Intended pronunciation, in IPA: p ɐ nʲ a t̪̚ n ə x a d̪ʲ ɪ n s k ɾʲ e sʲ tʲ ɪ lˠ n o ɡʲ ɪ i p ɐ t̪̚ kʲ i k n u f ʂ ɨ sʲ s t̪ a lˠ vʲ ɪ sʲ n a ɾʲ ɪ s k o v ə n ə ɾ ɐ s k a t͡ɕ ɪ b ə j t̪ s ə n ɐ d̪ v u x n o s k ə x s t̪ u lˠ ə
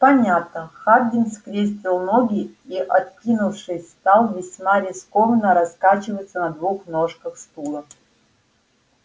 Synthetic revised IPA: p ɐ nʲ a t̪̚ n ə x a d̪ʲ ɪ n s k ɾʲ e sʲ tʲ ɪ lˠ n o ɡʲ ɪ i ʔ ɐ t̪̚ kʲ i n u f ʂ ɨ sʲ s t̪ a lˠ vʲ ɪ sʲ m a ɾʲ ɪ s k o v ə n ə ɾ ɐ s k a t͡ɕ ɪ v ə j t̪ s ə n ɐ d̪ v u x n o ʂ k ə x s t̪ u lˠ ə

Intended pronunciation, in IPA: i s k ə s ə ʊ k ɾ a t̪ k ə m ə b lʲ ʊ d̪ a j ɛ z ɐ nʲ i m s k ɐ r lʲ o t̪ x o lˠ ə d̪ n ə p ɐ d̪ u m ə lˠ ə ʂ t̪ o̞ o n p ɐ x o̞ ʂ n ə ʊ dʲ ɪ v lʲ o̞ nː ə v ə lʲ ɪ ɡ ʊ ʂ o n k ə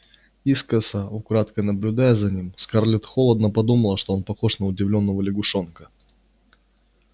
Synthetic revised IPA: i s k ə s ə ʊ k ɾ a t̪ k ə n ə b lʲ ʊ d̪ a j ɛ z ɐ nʲ i m s k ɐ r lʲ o t̪ x o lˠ ə d̪ n ə p ɐ d̪ u m ə lˠ ə ʂ t̪ o̞ o n p ɐ x o̞ ʂ n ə ʊ dʲ ɪ v lʲ o̞ nː ə v ə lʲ ɪ ɡ ʊ ʂ o n k ə

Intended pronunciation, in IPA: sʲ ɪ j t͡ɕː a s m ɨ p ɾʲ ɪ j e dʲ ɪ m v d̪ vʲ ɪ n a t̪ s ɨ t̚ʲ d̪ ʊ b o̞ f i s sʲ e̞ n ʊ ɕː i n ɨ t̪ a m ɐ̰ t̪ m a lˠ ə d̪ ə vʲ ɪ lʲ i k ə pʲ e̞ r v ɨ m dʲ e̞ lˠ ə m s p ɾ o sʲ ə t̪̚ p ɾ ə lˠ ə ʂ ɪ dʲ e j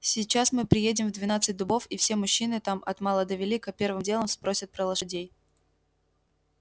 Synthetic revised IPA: sʲ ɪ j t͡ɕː a s m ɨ p ɾʲ ɪ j e dʲ ɪ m v d̪ vʲ ɪ n a t̪ s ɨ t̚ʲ d̪ ʊ b o̞ f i f sʲ e̞ m ʊ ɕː i n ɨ t̪ a m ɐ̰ t̪ m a lˠ ə d̪ ə vʲ ɪ lʲ i k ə pʲ e̞ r v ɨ m dʲ e̞ lˠ ə m s p ɾ o sʲ ə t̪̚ p ɾ ə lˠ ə ʂ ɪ dʲ e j

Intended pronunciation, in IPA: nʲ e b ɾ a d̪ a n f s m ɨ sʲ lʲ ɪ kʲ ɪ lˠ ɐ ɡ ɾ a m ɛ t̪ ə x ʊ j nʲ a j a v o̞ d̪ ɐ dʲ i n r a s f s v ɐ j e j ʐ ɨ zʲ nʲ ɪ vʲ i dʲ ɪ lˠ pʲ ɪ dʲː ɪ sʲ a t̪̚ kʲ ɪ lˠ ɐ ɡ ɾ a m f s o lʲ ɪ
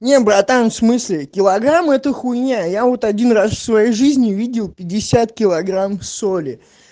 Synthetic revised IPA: nʲ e b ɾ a t̪ a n f s m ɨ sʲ lʲ ɪ kʲ ɪ lˠ ɐ ɡ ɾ a m ɛ t̪ ə x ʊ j nʲ a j a v o̞ t̪ ɐ dʲ i n r a s f s v ɐ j e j ʐ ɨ zʲ nʲ ɪ vʲ i dʲ ɪ lˠ pʲ ɪ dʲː ɪ sʲ a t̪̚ kʲ ɪ lˠ ɐ ɡ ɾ a m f s o lʲ ɪ

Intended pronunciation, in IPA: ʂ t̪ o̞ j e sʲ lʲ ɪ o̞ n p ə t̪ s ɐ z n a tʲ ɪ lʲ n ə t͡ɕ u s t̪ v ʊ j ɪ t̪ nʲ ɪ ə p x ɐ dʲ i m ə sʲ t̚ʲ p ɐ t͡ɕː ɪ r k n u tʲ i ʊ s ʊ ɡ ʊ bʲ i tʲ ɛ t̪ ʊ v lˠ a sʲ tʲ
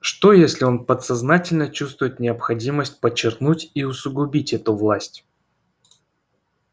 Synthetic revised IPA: ʂ t̪ o̞ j e sʲ lʲ ɪ o̞ n p ə t̪ s ɐ z n a tʲ ɪ lʲ n ə t͡ɕ u s t̪ v ʊ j ɪ t̪ nʲ ɪ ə p x ɐ dʲ i m ə sʲ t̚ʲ p ə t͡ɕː ɪ r k n u tʲ i ʊ s ʊ ɡ ʊ bʲ i tʲ ɛ t̪ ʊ v lˠ a sʲ tʲ

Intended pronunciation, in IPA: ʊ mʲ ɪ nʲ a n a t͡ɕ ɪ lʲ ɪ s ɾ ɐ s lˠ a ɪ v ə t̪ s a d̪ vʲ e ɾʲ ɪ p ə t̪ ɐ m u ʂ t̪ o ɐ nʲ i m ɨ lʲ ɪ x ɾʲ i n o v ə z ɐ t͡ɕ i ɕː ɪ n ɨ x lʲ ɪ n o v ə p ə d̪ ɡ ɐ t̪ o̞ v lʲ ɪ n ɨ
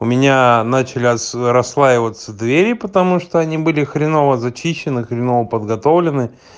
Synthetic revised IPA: ʊ mʲ ɪ nʲ a n a t͡ɕ ɪ lʲ ɪ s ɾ ɐ s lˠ a ɪ v ə t̪ s ə d̪ vʲ e ɾʲ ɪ p ə t̪ ɐ m u ʂ t̪ o ɐ nʲ i b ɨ lʲ ɪ x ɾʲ ɪ n o v ə z ɐ t͡ɕ i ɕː ɪ n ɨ x ɾʲ ɪ n o v ə p ə d̪ ɡ ɐ t̪ o̞ v lʲ ɪ n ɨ

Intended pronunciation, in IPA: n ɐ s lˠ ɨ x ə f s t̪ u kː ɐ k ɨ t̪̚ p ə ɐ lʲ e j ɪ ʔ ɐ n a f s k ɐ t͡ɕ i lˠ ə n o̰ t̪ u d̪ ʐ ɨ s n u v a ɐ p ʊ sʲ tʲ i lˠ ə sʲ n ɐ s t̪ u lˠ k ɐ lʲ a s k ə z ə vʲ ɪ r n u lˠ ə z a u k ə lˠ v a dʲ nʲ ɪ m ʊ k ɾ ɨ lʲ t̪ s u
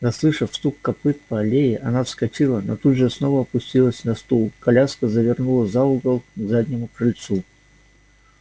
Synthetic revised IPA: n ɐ s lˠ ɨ ʂ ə f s t̪ u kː ɐ p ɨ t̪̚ p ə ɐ lʲ e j ɪ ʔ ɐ n a f s k ɐ t͡ɕ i lˠ ə n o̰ t̪ u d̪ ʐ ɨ s n o v ə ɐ p ʊ sʲ tʲ i lˠ ə sʲ n ɐ s t̪ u lˠ k ɐ lʲ a s k ə z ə vʲ ɪ r n u lˠ ə z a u ɡ ə lˠ z a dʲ nʲ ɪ m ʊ k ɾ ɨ lʲ t̪ s u

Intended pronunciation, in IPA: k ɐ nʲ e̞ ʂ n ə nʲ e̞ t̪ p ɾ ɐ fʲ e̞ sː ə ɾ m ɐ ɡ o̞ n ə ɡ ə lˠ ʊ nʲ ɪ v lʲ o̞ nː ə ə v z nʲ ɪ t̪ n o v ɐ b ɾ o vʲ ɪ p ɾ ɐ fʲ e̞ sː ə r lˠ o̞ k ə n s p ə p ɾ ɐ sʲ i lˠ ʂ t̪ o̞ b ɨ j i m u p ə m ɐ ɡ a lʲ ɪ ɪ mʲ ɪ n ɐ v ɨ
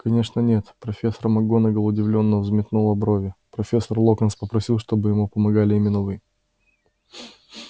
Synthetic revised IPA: k ɐ nʲ e̞ ʂ n ə nʲ e̞ t̪ p ɾ ɐ fʲ e̞ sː ə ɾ m ɐ ɡ o̞ n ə ɡ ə lˠ ʊ dʲ ɪ v lʲ o̞ nː ə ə v z mʲ ɪ t̪ n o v ɐ b ɾ o vʲ ɪ p ɾ ɐ fʲ e̞ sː ə r lˠ o̞ k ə n s p ə p ɾ ɐ sʲ i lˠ ʂ t̪ o̞ b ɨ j ɪ m u p ə m ɐ ɡ a lʲ ɪ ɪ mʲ ɪ n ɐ v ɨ

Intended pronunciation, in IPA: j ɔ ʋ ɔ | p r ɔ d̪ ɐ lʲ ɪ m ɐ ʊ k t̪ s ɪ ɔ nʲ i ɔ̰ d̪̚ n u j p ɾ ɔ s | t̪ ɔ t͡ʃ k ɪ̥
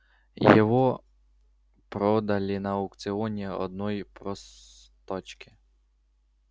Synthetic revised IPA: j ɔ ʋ ɔ | p ɾ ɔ d̪ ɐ lʲ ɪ n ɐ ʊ k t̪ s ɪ ɔ nʲ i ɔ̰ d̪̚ n ɔ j p ɾ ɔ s | t̪ ɔ t͡ʃ k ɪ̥

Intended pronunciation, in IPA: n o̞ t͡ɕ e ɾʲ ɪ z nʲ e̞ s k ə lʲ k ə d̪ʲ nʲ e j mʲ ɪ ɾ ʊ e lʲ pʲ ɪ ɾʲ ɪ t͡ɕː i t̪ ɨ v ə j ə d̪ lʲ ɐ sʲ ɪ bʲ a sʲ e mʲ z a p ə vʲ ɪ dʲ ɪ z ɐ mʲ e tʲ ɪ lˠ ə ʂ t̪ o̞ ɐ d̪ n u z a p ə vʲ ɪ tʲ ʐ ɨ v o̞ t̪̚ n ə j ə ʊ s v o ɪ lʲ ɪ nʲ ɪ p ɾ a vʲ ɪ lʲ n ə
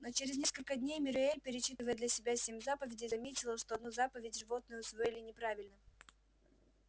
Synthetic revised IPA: n o̞ t͡ɕ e ɾʲ ɪ z nʲ e̞ s k ə lʲ k ə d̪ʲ nʲ e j mʲ ɪ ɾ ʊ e lʲ pʲ ɪ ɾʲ ɪ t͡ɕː i t̪ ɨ v ə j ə d̪ lʲ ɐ sʲ ɪ bʲ a sʲ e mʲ z a p ə vʲ ɪ dʲ ɪ z ɐ mʲ e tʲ ɪ lˠ ə ʂ t̪ o̞ ɐ d̪ n u z a p ə vʲ ɪ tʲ ʐ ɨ v o̞ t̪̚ n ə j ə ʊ s v o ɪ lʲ ɪ nʲ ɪ p ɾ a vʲ ɪ lʲ n ə

